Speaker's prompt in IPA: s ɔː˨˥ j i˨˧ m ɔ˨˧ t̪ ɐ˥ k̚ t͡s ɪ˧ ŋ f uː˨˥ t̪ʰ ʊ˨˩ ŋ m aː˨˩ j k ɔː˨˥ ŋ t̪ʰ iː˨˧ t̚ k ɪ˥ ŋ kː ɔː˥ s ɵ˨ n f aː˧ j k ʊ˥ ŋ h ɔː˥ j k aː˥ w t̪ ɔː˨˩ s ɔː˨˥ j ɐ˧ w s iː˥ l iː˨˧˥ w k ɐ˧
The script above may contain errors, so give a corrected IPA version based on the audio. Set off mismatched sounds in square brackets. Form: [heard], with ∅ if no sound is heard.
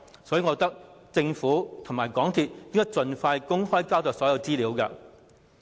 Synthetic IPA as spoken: s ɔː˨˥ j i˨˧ [ŋ] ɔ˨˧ t̪ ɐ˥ k̚ t͡s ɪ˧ ŋ f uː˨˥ t̪ʰ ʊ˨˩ ŋ m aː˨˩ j k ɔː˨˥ ŋ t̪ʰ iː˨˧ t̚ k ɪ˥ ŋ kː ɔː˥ [t͡s] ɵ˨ n f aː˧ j k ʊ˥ ŋ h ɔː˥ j k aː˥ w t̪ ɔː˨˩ s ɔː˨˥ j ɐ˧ w [t͡s] iː˥ l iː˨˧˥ w k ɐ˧